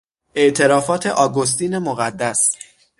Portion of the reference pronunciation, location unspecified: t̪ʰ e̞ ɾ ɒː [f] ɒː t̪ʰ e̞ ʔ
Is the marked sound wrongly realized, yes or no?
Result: no